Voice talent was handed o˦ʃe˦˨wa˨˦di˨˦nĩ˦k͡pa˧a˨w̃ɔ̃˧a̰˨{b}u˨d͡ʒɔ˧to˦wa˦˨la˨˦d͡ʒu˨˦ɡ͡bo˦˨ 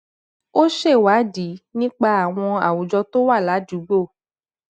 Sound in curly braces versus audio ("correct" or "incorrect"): incorrect